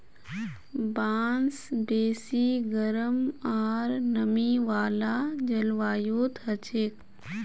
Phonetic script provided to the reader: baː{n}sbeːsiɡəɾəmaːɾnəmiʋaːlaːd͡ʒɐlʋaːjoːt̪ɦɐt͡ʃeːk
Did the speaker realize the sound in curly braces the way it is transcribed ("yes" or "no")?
yes